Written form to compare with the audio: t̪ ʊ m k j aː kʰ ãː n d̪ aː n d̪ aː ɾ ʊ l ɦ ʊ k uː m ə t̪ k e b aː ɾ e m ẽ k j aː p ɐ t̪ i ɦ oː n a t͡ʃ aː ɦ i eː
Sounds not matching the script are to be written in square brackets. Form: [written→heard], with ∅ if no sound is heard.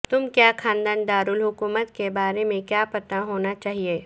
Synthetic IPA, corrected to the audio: t̪ ʊ m k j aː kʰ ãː n d̪ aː n d̪ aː ɾ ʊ l ɦ ʊ k uː m ə t̪ k e b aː ɾ e m ẽ k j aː p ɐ t̪ [i→a] ɦ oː n a t͡ʃ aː ɦ i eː